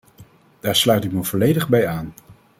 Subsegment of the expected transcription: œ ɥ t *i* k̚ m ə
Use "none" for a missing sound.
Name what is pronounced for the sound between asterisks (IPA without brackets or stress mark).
ɪ